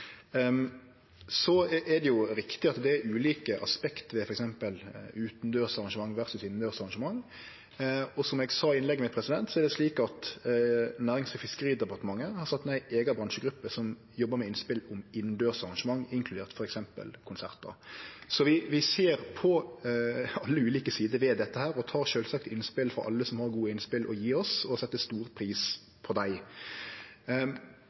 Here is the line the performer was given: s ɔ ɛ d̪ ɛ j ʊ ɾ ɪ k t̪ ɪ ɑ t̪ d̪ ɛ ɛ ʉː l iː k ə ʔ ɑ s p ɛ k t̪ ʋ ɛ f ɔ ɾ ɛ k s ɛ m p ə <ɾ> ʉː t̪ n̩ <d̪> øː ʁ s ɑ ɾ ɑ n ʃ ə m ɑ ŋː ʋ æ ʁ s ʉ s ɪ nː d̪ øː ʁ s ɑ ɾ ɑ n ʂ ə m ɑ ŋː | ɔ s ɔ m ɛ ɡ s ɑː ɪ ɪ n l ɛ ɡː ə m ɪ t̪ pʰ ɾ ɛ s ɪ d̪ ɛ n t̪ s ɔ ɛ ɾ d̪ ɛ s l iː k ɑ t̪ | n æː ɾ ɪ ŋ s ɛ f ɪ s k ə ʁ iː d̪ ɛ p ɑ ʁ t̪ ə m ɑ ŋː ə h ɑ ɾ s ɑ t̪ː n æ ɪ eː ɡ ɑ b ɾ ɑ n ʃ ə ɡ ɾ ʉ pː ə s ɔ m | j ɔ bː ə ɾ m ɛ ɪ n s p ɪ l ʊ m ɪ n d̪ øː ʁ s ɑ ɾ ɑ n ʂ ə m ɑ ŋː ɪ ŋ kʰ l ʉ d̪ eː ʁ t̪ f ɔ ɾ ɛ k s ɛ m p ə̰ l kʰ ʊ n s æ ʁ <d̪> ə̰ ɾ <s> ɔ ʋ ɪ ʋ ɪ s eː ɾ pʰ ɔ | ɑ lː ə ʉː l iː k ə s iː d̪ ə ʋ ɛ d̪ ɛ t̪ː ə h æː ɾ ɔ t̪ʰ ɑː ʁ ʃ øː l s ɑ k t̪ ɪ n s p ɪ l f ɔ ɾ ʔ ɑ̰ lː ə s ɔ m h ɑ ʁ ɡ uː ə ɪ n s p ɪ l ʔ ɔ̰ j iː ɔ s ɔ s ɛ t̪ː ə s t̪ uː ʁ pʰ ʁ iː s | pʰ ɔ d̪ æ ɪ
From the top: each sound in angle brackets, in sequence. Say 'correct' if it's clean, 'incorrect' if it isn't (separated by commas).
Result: incorrect, correct, incorrect, correct